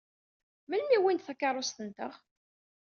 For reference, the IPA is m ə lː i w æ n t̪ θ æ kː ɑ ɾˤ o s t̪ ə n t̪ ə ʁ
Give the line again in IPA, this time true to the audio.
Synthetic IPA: m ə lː i w i n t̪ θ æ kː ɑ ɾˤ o s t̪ ə n t̪ ə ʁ